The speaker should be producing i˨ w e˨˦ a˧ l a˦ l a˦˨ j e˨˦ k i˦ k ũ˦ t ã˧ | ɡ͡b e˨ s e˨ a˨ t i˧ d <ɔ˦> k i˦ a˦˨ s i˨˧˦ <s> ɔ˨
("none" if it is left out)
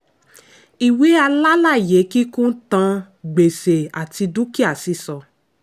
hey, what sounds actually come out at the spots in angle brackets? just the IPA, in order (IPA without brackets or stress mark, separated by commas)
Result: u˦, s